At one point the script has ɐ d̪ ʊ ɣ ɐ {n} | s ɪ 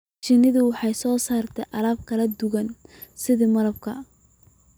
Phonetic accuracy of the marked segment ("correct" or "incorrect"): correct